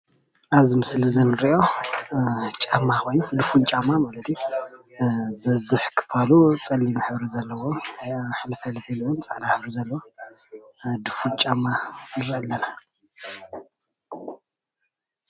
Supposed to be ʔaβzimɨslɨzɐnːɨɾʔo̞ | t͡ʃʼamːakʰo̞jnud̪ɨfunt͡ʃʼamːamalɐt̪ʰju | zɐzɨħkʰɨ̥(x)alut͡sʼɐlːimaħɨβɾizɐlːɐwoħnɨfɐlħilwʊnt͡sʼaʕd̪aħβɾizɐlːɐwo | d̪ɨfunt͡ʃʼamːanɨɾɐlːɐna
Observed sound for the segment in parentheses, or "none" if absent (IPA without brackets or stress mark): f